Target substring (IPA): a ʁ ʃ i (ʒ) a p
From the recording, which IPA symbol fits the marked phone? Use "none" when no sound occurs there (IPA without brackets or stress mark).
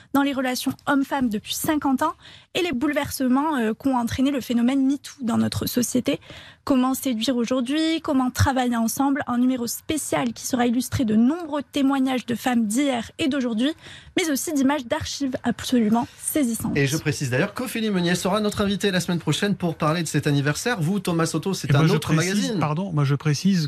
v